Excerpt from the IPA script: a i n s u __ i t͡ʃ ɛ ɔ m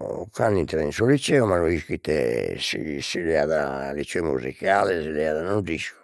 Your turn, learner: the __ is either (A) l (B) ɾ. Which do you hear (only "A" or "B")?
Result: A